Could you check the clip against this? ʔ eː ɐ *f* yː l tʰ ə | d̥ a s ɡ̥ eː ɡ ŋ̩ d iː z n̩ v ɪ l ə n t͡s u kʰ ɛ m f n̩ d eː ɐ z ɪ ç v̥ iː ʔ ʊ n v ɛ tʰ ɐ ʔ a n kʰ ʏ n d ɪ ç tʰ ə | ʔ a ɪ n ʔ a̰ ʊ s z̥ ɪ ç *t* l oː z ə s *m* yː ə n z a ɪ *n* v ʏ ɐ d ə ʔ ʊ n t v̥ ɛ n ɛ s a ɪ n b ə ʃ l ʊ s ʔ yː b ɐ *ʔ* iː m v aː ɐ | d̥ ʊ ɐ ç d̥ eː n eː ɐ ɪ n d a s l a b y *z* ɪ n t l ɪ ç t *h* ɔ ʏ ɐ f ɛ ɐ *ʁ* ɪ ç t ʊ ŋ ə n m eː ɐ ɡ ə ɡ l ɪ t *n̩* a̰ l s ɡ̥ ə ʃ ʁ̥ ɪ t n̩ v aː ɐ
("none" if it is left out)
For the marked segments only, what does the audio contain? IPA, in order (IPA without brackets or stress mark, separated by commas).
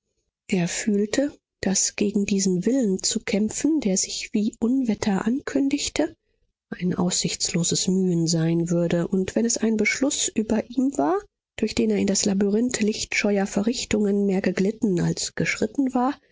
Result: f, t͡s, m, n, ʔ, ʁ, ʃ, ʁ, n̩